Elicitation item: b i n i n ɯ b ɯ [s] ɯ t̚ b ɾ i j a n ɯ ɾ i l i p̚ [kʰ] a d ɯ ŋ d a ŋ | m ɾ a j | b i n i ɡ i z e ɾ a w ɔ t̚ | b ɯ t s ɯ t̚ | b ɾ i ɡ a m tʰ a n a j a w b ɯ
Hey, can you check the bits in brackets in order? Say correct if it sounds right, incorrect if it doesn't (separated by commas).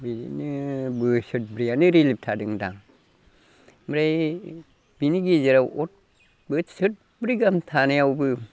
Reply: correct, incorrect